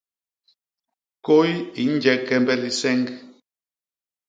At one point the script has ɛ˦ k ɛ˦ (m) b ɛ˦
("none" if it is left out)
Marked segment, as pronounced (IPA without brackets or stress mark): m